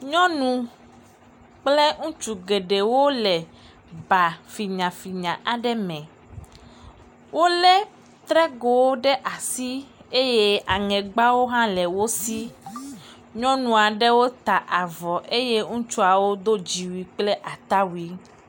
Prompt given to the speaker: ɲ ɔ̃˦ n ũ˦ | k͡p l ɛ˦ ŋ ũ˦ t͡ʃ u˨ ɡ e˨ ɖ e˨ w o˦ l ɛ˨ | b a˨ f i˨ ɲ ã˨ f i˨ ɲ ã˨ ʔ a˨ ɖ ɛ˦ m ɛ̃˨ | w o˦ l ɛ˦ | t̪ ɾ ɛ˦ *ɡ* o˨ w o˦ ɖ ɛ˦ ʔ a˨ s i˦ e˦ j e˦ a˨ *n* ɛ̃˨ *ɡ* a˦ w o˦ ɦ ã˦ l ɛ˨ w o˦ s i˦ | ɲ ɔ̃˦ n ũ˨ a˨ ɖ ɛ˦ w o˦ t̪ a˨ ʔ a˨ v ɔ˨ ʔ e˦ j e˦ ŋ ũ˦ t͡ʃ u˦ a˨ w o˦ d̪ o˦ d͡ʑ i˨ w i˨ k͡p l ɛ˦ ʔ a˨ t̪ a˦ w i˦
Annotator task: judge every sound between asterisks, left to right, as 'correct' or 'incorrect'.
correct, incorrect: ŋ, incorrect: ɡ͡b

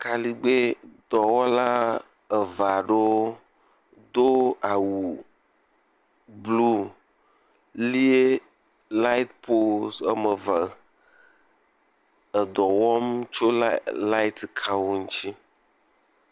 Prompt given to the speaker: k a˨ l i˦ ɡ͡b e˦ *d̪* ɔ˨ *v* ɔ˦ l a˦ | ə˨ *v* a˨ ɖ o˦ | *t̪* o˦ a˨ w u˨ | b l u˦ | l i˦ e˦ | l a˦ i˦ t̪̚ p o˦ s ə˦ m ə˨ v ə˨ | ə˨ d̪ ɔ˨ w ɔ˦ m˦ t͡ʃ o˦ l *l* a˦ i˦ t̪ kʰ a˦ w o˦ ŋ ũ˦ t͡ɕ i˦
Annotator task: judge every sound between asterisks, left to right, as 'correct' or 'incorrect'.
correct, incorrect: w, correct, incorrect: d̪, correct

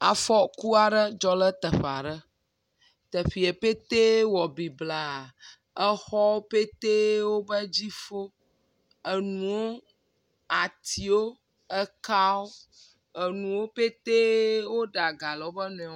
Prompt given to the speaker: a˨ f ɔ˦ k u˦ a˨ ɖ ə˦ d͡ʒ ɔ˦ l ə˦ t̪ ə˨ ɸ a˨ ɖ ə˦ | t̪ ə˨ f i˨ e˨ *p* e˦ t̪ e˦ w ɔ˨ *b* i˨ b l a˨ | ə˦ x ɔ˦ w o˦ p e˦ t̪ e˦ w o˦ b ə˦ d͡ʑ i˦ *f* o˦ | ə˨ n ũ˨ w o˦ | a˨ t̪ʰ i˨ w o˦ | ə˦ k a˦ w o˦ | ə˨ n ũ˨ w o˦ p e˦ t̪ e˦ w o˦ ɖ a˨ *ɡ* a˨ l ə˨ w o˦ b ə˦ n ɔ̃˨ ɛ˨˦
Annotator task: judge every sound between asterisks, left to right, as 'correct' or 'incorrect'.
correct, correct, correct, correct

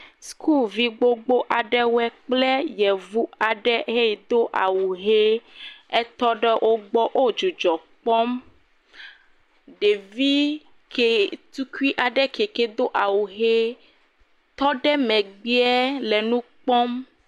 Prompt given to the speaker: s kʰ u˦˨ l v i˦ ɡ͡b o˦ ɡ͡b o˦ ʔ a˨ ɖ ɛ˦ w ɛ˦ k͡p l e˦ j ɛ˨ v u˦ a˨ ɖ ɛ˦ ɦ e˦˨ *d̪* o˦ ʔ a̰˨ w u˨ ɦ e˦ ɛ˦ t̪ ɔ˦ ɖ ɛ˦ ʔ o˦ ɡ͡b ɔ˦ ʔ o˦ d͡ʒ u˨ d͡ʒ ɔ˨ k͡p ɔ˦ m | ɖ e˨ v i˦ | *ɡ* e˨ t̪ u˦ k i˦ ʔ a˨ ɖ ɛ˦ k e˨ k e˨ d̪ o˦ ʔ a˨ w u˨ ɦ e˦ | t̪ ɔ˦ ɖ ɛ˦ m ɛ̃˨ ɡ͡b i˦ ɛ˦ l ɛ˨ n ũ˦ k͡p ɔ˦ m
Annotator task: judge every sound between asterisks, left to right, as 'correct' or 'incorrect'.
correct, incorrect: k

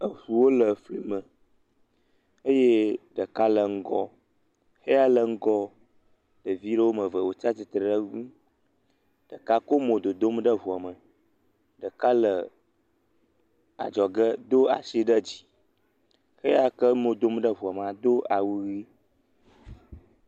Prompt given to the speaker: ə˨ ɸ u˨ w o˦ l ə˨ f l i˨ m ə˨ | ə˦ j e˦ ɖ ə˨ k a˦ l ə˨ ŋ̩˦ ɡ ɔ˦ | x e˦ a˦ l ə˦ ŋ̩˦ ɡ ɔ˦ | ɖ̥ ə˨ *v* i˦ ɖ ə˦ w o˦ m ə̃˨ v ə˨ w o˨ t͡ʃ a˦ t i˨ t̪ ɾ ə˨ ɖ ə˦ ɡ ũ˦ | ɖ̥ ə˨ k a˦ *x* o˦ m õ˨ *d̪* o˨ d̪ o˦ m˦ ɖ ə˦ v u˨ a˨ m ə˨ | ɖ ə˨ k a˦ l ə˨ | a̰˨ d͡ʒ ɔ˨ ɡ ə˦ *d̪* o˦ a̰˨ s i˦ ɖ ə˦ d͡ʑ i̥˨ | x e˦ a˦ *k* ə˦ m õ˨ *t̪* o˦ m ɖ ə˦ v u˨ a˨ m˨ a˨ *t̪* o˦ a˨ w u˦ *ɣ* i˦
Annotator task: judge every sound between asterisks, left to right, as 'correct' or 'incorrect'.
correct, incorrect: k, correct, correct, correct, incorrect: d̪, incorrect: d̪, correct

